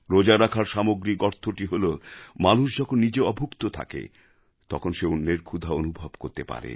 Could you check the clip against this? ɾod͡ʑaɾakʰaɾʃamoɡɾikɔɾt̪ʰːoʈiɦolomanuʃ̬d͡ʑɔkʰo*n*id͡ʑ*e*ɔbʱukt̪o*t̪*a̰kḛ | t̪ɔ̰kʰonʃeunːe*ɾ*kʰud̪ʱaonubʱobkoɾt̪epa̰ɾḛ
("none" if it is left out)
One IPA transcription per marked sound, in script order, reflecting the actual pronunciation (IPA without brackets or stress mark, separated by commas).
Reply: nː, e, t̪ʰ, ɾ